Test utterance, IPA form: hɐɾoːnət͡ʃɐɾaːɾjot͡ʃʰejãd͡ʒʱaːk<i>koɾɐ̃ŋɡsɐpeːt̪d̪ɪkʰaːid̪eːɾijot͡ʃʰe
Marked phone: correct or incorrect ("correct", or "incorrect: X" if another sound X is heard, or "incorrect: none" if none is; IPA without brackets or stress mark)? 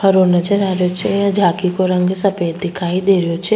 correct